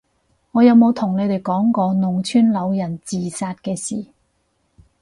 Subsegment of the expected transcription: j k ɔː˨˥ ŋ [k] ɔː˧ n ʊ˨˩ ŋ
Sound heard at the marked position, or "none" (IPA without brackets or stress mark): k